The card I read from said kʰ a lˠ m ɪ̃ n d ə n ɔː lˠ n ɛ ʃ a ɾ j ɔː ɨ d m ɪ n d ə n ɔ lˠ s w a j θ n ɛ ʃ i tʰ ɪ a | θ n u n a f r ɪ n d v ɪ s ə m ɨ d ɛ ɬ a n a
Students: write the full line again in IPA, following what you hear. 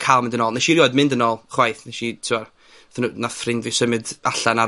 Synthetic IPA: kʰ a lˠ m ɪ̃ n d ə n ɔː lˠ n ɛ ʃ i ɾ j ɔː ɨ d m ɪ n d ə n ɔ lˠ χ w a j θ n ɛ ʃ i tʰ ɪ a | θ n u n a f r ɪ n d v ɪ s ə m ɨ d a ɬ a n a